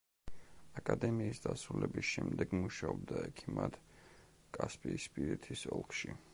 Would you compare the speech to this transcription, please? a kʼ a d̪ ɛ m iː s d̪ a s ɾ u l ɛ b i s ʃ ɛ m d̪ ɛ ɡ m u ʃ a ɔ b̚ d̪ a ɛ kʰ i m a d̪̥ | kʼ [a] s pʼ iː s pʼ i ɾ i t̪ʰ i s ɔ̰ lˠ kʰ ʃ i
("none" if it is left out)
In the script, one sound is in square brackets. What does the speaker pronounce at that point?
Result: a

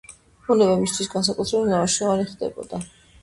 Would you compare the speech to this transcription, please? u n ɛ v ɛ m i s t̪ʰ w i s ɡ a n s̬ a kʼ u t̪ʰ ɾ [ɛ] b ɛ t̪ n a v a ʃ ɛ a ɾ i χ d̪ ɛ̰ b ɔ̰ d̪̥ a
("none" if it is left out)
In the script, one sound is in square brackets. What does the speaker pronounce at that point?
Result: ɛ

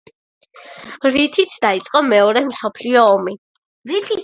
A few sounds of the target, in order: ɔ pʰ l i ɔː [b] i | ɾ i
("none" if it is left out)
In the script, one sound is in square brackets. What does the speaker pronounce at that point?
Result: m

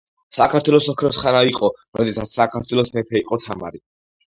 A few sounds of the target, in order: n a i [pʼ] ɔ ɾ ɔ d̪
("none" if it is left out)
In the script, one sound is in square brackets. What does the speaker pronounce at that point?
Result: qʼ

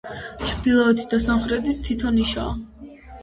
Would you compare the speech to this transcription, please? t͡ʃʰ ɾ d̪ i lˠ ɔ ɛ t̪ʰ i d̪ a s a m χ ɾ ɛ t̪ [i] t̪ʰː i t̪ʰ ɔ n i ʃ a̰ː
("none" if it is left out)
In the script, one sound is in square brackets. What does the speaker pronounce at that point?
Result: i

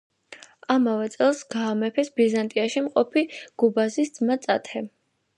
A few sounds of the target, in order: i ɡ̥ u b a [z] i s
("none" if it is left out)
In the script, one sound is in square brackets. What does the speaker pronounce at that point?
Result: z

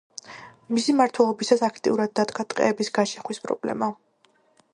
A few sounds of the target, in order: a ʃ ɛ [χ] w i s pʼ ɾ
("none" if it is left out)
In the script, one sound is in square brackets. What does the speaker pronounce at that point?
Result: χ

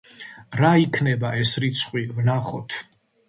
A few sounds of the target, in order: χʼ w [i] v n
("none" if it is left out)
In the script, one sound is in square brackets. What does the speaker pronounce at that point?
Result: i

